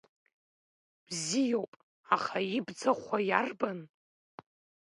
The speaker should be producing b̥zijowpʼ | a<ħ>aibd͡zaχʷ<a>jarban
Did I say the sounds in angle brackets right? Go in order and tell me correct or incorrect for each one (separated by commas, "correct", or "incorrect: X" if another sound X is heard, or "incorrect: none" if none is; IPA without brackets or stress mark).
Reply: incorrect: χ, correct